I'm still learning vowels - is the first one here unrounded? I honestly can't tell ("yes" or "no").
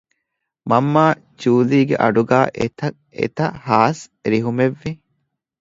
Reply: yes